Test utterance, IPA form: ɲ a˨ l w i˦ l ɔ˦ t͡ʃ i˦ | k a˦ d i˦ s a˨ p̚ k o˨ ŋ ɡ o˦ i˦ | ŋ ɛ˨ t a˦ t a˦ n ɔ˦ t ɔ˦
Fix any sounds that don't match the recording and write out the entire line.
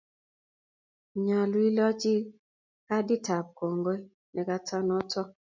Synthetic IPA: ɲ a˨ l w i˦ l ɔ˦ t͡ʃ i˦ | k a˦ d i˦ t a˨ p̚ k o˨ ŋ ɡ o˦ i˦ | n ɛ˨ k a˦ t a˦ n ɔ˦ t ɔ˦